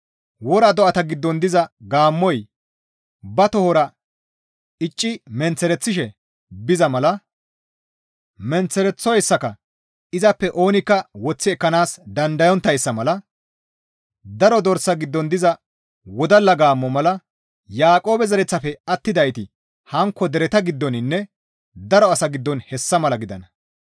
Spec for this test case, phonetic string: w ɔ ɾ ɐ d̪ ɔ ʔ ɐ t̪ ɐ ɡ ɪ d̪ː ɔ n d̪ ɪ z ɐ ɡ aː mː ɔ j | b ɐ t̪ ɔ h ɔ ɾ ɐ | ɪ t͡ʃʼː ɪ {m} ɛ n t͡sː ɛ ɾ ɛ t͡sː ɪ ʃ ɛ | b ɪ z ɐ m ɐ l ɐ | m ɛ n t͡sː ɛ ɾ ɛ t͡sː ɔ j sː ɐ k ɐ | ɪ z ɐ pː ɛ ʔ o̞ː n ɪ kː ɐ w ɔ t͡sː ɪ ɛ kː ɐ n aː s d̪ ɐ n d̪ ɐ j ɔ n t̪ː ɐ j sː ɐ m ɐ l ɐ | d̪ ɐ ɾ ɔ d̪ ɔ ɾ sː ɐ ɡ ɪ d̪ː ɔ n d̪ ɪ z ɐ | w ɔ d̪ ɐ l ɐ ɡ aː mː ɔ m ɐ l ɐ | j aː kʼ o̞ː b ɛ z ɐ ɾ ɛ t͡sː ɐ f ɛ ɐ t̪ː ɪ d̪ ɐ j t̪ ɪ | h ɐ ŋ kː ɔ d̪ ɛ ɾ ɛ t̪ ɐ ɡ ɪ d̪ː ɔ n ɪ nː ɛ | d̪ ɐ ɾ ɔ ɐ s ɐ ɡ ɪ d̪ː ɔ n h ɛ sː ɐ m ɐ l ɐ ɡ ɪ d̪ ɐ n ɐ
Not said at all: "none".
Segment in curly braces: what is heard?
m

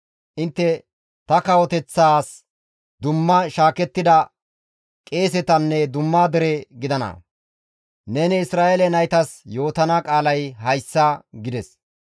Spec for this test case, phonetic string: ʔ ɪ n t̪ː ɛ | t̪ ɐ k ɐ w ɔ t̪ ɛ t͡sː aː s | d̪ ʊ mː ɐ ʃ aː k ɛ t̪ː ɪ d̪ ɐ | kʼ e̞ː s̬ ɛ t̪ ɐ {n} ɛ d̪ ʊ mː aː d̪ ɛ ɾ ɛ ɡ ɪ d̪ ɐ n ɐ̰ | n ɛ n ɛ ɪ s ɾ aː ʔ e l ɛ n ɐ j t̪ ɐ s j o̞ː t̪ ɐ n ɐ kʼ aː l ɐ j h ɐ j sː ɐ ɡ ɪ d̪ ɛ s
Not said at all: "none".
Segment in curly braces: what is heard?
nː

